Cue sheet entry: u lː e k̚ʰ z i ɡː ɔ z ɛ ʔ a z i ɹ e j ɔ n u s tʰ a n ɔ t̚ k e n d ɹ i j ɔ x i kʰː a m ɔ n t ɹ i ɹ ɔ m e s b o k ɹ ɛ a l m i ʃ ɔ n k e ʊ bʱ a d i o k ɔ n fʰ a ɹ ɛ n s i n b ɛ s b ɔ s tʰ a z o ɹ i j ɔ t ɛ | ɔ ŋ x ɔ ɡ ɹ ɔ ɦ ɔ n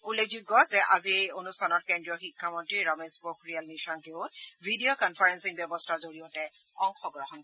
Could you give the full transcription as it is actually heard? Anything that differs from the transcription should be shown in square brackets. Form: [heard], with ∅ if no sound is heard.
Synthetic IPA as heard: u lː e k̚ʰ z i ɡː ɔ z ɛ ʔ a z i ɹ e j [o] n u s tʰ a n ɔ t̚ k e n d ɹ i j ɔ x i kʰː a m ɔ n t ɹ i ɹ ɔ m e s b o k ɹ [i] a l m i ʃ ɔ n k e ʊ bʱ [i] d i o k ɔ n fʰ a ɹ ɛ n s i [ŋ] b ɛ [∅] b ɔ s tʰ a z o ɹ i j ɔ t ɛ | ɔ ŋ x ɔ ɡ ɹ ɔ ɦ ɔ n